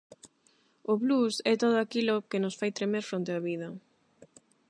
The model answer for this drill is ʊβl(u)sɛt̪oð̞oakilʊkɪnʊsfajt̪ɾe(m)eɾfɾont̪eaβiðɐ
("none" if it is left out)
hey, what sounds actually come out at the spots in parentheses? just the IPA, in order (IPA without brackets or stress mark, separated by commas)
u, m